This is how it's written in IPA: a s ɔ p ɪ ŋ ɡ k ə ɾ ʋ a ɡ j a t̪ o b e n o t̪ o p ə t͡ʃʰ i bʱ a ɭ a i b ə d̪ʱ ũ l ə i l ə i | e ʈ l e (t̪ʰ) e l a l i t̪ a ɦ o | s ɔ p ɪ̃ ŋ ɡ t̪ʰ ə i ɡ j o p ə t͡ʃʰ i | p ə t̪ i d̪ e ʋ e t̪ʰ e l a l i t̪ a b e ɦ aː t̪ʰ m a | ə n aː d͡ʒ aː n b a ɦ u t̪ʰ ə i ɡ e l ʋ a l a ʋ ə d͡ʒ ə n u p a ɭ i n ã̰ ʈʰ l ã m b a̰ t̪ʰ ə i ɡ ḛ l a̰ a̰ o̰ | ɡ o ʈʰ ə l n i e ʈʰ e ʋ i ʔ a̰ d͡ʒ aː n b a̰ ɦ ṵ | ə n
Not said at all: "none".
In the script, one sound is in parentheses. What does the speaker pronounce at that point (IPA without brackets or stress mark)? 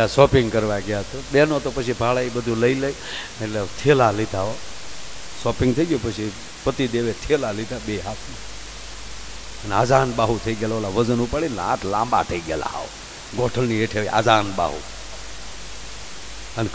t̪ʰ